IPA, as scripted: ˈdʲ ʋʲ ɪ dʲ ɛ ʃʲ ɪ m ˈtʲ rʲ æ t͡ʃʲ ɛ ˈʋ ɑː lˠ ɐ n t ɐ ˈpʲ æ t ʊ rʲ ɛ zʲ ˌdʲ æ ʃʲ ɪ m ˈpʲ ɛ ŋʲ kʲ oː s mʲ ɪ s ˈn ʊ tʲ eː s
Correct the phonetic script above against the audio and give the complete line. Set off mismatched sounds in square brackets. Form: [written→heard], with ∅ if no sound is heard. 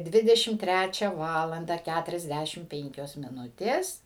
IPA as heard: ˈdʲ ʋʲ ɪ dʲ ɛ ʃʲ ɪ m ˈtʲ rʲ æ t͡ʃʲ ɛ ˈʋ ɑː lˠ ɐ n [t→d] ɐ [ˈpʲ→ˈkʲ] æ t ʊ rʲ ɛ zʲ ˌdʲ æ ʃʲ ɪ m ˈpʲ ɛ ŋʲ kʲ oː s mʲ ɪ [s→∅] ˈn ʊ tʲ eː s